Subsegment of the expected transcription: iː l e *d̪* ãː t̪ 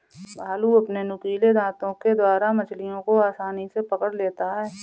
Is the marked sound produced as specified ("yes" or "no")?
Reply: yes